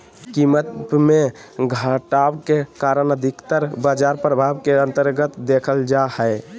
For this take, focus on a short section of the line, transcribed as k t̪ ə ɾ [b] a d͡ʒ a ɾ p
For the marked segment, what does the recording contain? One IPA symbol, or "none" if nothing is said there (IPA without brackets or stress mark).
b